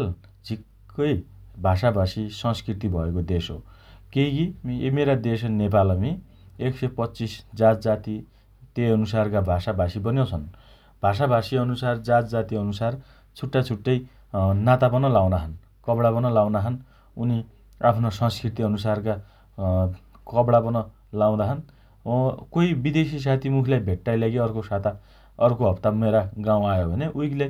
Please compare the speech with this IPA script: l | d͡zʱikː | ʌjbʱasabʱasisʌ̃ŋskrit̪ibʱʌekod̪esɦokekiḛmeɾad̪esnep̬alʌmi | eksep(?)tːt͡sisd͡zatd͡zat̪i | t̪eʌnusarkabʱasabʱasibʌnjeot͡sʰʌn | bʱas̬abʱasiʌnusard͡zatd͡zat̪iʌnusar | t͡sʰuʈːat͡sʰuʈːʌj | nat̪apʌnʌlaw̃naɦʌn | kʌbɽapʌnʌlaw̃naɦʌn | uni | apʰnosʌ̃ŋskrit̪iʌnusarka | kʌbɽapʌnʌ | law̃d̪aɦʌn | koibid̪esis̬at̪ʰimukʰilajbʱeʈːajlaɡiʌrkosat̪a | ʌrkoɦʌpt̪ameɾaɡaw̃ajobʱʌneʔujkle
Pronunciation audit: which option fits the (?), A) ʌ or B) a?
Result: A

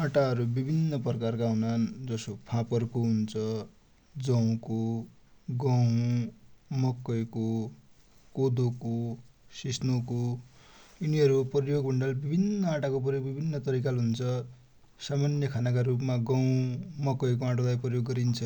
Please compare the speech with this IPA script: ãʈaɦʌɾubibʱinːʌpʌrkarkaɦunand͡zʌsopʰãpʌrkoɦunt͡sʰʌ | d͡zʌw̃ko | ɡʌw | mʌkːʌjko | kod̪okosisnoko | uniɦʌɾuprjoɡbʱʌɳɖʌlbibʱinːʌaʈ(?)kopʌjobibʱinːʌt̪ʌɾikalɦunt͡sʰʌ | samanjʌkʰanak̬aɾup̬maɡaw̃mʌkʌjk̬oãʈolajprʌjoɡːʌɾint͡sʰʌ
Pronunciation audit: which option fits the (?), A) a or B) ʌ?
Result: A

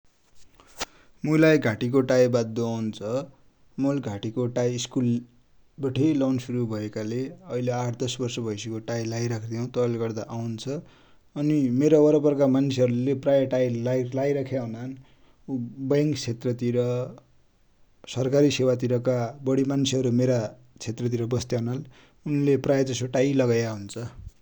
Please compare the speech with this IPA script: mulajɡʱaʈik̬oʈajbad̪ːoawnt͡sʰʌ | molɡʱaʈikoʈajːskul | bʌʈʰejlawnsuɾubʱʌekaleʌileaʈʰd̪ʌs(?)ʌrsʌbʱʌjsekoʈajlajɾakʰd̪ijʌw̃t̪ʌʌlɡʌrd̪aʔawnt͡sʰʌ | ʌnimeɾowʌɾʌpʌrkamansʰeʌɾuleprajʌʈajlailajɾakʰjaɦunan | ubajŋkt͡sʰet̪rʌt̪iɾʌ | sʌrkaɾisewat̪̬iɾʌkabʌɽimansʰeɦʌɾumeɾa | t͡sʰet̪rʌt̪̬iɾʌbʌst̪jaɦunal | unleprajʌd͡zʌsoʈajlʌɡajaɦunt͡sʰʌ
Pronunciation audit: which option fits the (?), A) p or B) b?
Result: B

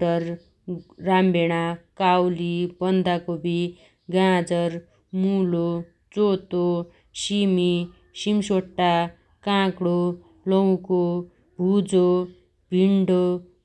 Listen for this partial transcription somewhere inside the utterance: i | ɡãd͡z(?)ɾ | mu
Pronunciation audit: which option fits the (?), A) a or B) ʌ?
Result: B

